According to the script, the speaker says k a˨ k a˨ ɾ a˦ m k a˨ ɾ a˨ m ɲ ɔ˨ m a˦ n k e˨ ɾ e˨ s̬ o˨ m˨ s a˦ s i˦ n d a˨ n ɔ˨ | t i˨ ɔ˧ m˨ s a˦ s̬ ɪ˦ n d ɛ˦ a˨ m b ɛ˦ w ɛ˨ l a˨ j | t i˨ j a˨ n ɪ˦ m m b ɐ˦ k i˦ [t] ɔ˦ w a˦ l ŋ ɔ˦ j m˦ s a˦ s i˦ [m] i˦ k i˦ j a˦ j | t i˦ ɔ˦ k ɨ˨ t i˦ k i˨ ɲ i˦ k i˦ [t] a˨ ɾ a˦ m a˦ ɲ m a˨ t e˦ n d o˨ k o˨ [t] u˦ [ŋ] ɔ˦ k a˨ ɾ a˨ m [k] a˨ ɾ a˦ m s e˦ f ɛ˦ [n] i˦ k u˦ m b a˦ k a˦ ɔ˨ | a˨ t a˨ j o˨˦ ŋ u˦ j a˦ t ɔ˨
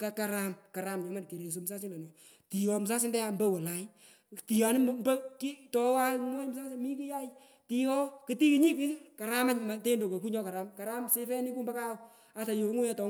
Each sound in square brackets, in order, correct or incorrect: correct, correct, incorrect: k, incorrect: k, incorrect: ɲ, correct, correct

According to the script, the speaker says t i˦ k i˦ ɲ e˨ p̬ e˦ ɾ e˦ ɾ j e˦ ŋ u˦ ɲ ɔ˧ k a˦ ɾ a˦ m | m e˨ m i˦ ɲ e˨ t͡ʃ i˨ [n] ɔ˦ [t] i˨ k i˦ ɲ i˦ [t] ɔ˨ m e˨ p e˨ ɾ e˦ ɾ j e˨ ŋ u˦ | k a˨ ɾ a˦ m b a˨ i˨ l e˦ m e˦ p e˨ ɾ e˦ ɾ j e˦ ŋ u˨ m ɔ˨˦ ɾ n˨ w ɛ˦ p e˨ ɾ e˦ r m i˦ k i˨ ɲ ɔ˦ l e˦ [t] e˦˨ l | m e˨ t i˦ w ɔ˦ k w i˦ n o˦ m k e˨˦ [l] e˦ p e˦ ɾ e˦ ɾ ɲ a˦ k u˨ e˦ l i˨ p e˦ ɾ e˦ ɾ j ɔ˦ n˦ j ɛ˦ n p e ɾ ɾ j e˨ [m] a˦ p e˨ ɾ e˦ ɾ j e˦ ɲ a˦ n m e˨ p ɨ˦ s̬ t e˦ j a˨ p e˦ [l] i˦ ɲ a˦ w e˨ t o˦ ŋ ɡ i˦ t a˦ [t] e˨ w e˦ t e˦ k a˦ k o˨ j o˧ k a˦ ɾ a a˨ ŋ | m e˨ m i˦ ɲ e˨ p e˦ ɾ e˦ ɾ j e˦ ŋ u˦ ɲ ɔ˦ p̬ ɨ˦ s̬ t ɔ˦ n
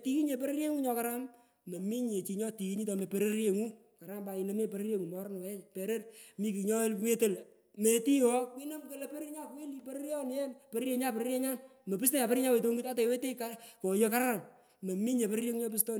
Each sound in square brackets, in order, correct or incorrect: incorrect: ɲ, correct, correct, correct, correct, incorrect: ɲ, incorrect: ɾ, correct

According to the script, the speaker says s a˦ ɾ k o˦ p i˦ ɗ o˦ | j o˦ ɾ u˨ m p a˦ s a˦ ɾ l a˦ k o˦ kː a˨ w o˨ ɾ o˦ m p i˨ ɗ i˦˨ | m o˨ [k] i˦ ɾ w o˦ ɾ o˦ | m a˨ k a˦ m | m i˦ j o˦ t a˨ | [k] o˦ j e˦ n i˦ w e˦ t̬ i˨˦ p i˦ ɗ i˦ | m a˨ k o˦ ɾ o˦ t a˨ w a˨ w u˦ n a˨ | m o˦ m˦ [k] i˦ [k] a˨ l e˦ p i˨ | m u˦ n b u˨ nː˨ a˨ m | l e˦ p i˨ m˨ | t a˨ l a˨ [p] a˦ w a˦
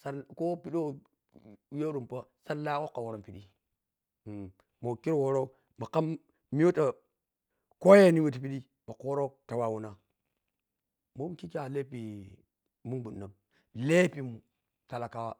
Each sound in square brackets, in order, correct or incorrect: correct, correct, correct, correct, incorrect: k

